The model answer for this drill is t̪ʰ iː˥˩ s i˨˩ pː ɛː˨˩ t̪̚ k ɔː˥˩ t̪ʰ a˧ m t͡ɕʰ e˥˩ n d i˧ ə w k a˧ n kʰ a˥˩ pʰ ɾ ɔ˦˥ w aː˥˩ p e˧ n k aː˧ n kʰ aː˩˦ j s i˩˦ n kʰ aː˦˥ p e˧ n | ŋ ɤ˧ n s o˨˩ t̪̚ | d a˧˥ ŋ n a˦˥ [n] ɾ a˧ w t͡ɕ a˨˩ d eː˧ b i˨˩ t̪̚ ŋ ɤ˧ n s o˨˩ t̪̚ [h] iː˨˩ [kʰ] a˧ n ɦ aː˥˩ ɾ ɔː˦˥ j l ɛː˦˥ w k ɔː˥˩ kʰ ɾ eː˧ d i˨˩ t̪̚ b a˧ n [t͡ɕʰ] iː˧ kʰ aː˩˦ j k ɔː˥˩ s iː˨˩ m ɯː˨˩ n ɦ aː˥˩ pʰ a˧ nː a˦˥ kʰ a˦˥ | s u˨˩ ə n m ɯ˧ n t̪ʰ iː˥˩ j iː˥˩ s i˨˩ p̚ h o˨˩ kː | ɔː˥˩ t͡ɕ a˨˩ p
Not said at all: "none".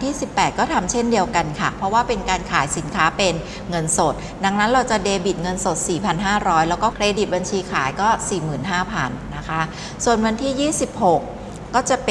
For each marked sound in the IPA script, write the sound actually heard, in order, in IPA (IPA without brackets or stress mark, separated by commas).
n, s, pʰ, t͡ɕʰ